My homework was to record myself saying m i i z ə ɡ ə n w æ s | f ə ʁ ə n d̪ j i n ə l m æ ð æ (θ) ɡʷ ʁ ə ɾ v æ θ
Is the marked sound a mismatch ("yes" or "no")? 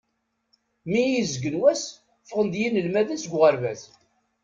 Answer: yes